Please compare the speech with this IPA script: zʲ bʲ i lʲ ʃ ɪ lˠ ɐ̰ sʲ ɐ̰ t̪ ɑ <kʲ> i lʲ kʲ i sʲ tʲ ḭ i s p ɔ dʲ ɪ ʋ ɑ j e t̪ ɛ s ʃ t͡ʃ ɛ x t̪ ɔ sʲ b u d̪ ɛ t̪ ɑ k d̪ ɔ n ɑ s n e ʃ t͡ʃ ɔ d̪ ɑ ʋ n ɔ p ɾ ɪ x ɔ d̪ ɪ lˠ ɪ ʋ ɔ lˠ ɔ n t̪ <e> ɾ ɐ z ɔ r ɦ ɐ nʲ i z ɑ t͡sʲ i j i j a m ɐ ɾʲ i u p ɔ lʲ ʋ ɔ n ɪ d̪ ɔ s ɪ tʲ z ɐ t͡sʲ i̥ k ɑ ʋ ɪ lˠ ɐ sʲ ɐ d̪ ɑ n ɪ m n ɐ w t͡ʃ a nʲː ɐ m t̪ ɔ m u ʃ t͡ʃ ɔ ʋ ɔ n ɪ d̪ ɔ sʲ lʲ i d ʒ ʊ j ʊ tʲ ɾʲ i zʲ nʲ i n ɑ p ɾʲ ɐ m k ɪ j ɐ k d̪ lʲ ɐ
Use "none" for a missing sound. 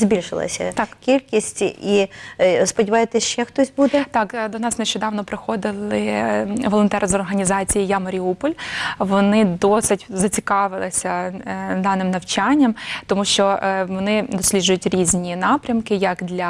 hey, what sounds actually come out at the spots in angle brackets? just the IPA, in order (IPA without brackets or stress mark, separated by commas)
kʲ, ɛ